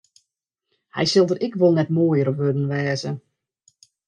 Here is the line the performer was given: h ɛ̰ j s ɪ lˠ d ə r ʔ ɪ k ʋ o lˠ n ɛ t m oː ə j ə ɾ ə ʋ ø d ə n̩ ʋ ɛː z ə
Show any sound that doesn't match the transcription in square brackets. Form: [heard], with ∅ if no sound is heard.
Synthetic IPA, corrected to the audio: h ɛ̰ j s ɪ lˠ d ə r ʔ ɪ k ʋ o lˠ n ɛ t m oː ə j ə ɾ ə ʋ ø d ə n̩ ʋ ɛː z ə